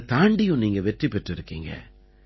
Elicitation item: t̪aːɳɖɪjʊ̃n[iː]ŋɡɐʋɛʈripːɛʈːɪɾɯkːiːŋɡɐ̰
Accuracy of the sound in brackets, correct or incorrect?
correct